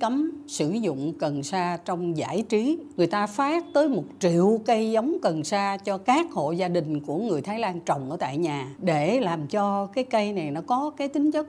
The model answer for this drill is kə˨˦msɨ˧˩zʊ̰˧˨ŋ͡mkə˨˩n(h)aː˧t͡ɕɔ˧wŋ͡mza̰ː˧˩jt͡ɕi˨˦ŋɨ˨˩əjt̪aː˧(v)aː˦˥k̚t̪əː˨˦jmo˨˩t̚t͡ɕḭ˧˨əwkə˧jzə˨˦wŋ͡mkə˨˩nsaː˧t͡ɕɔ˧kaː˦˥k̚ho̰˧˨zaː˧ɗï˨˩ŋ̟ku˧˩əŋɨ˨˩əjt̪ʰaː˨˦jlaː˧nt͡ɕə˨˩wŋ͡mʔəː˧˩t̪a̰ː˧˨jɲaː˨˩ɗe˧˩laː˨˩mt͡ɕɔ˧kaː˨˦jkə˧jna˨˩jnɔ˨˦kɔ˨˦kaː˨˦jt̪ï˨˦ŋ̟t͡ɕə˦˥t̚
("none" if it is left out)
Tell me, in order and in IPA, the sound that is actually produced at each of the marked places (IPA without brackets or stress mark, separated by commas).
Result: s, f